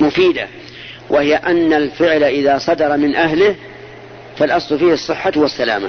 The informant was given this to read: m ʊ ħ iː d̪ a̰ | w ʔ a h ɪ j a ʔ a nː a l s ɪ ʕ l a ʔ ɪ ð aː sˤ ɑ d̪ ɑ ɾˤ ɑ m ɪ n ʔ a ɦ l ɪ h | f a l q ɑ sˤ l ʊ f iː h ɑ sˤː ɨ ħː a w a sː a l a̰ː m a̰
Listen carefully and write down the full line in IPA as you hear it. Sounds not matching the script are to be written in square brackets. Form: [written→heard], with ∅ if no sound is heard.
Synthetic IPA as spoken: m ʊ [ħ→f] iː d̪ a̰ | w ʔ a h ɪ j a ʔ a nː a l [s→f] ɪ ʕ l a ʔ ɪ ð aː sˤ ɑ d̪ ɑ ɾˤ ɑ m ɪ n ʔ a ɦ l ɪ h | f a l [q→ʔ] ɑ sˤ l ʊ f iː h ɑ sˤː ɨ ħː a w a sː a l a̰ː m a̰